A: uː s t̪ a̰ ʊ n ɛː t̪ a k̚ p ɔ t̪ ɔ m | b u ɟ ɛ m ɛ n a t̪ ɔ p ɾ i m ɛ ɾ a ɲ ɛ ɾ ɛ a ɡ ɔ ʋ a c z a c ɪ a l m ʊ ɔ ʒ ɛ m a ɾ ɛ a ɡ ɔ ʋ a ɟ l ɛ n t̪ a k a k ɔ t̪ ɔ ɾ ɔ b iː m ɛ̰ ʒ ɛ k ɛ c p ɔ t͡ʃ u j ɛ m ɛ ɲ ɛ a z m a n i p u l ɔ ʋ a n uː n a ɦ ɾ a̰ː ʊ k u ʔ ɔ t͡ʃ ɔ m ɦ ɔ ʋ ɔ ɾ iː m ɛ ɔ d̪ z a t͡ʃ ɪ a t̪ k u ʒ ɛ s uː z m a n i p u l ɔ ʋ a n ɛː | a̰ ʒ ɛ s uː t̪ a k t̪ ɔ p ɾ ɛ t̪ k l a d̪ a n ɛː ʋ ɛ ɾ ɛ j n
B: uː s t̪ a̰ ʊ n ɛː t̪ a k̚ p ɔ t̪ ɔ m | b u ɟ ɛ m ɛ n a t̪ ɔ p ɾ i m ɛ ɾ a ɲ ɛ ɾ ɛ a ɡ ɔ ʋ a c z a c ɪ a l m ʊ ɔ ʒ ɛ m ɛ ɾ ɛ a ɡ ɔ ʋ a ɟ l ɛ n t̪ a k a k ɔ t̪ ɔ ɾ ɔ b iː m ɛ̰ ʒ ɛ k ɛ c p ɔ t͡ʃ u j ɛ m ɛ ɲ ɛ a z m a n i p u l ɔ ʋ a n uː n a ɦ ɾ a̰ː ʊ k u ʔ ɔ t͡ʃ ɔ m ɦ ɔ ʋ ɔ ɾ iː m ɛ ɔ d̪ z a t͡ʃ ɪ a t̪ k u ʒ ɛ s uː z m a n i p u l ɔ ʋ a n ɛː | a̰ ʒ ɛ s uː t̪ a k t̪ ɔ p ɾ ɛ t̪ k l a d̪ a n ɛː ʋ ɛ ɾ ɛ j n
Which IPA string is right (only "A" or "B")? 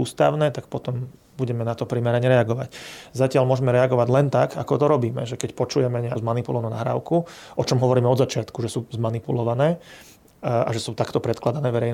B